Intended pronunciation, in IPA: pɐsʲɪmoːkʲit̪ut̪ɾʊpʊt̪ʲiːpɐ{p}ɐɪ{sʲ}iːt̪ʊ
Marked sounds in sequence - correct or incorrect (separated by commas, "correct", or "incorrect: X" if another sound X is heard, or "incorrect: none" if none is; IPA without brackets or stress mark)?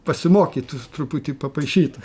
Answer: correct, incorrect: ʃʲ